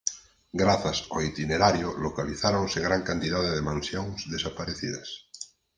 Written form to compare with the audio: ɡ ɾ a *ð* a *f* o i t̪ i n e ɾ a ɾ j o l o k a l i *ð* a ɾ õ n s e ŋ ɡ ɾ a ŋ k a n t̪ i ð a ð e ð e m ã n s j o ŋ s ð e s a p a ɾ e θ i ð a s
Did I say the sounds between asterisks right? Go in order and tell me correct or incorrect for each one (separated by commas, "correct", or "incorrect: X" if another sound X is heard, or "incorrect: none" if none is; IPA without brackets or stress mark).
incorrect: θ, incorrect: s, incorrect: θ